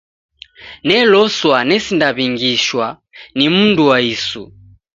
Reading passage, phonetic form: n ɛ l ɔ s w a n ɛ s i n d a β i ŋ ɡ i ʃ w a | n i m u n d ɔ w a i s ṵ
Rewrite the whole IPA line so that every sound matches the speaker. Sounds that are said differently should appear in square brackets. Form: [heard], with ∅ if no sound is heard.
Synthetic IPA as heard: n ɛ l ɔ s w a n ɛ s i n d a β i ŋ ɡ i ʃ w a | n i m u n d [u] w a i s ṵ

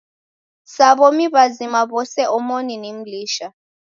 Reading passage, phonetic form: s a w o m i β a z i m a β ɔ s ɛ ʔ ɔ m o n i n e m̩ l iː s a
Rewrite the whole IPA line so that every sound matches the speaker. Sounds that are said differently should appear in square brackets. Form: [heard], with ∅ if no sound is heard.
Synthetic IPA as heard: s a [β] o m i β a z i m a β ɔ s ɛ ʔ ɔ m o n i n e m̩ l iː [ʃ] a

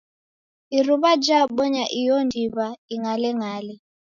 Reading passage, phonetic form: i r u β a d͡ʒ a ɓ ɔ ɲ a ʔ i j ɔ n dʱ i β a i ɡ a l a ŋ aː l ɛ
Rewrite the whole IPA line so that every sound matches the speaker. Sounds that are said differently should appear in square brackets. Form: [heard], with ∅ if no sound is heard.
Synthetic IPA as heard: i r u β a d͡ʒ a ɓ ɔ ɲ a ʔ i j ɔ n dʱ i β a i [ŋ] a l [ɛ] ŋ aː l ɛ

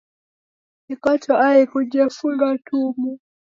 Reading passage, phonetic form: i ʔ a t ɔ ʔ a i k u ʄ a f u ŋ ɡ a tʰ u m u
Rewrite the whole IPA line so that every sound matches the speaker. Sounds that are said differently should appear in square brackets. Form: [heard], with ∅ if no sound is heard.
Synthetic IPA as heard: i [k] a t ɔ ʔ a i k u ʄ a f u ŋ ɡ a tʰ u m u

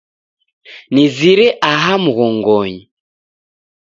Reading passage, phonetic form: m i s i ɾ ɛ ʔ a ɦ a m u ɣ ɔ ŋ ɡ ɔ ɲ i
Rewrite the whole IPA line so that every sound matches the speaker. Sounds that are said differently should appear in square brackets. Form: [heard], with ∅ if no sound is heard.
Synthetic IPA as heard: [n] i [z] i ɾ ɛ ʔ a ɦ a m u ɣ ɔ ŋ ɡ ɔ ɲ i

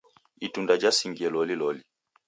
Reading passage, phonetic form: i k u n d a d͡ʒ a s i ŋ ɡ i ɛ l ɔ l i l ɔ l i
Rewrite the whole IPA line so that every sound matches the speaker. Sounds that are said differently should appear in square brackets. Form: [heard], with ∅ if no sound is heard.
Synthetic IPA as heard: i [t] u n d a d͡ʒ a s i ŋ ɡ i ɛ l ɔ l i l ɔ l i

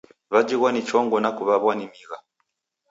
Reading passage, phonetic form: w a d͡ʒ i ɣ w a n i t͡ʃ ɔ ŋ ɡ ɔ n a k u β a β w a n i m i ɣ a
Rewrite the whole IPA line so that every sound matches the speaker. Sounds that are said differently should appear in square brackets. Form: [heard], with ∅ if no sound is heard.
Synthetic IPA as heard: [β] a d͡ʒ i ɣ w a n i t͡ʃ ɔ ŋ ɡ ɔ n a k u β a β w a n i m i ɣ a

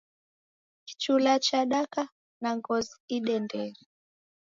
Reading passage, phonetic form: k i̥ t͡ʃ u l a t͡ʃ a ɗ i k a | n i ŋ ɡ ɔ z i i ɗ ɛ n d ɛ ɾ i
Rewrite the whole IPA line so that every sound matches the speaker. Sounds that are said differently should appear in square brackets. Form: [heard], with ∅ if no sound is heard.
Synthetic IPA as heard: k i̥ t͡ʃ u l a t͡ʃ a ɗ [a] k a | n [a] ŋ ɡ ɔ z i i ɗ ɛ n d ɛ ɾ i

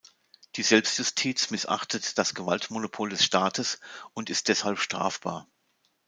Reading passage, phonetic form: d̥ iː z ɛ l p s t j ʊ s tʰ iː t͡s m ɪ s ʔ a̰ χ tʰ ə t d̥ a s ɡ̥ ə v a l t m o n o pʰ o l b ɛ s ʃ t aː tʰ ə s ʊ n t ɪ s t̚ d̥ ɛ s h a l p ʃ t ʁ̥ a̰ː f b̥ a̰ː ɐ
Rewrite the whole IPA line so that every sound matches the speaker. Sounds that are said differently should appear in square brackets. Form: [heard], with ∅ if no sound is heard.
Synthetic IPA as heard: d̥ iː z ɛ l p s t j ʊ s tʰ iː t͡s m ɪ s ʔ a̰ χ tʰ ə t d̥ a s ɡ̥ ə v a l t m o n o pʰ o l [d] ɛ s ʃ t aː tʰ ə s ʊ n t ɪ s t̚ d̥ ɛ s h a l p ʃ t ʁ̥ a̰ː f b̥ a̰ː ɐ

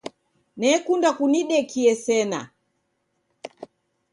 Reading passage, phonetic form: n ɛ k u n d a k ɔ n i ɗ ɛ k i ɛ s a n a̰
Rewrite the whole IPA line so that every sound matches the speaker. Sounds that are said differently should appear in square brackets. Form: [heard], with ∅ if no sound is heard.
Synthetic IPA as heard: n ɛ k u n d a k [u] n i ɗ ɛ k i ɛ s [ɛ] n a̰

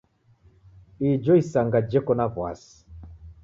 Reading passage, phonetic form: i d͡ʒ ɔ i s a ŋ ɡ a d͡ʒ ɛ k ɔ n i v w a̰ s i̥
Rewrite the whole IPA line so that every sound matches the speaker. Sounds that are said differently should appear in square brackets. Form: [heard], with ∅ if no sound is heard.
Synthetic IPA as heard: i d͡ʒ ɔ i s a ŋ ɡ a d͡ʒ ɛ k ɔ n [a] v w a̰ s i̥

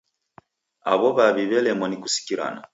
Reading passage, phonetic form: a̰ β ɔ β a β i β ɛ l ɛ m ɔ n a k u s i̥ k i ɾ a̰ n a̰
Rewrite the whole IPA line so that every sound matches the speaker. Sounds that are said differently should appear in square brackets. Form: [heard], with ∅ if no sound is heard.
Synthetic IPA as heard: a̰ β ɔ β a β i β ɛ l ɛ m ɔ n [i] k u s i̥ k i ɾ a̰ n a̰

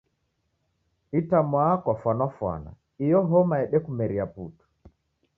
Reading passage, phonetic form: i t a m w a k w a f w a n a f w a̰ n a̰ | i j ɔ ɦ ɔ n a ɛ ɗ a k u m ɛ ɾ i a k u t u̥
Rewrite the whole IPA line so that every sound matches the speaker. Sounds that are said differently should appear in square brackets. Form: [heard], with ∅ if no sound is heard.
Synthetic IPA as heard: i t a m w a k w a f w a n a f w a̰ n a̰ | i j ɔ ɦ ɔ [m] a ɛ ɗ [ɛ] k u m ɛ ɾ i a [p] u t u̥

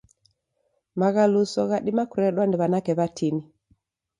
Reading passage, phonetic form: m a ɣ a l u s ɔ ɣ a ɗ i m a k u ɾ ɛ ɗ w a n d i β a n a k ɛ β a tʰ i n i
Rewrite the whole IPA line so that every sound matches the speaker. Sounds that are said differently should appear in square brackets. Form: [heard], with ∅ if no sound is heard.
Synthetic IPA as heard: m a ɣ a l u s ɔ ɣ a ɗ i m a k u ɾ ɛ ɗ w a n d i β a n a k ɛ β a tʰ i n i

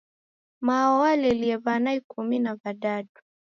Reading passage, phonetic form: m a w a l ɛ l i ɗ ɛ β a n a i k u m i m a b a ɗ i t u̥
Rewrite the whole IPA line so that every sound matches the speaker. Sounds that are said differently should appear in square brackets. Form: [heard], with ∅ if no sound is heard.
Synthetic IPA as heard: m a w a l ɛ l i [∅] ɛ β a n a i k u m i [n] a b a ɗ [a] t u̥

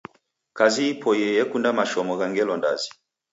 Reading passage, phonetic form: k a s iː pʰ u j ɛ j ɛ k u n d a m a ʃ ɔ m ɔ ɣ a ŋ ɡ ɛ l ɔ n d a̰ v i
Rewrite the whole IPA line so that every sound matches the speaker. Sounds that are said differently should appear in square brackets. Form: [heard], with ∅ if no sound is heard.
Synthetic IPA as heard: k a [z] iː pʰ [ɔ] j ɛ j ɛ k u n d a m a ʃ ɔ m ɔ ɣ a ŋ ɡ ɛ l ɔ n d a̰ [z] i

